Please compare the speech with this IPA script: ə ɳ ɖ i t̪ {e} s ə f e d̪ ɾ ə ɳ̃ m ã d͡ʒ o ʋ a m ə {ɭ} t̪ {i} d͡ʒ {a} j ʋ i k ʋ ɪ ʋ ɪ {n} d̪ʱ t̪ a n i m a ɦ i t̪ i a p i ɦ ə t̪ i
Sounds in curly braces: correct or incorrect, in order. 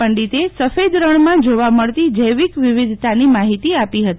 correct, correct, correct, incorrect: ə, incorrect: none

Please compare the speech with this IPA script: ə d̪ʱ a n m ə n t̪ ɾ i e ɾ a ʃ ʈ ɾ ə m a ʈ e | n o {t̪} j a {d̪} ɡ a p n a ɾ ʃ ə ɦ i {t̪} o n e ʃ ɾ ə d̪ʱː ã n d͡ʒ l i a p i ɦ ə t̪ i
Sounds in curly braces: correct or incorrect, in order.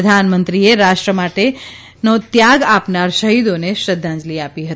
correct, incorrect: none, incorrect: d̪

